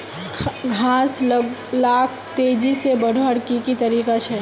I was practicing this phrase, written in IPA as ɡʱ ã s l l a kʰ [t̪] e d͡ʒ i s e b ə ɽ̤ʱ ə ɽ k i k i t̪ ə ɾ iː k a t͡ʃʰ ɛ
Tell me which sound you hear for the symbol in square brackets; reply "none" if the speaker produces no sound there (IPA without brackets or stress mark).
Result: t̪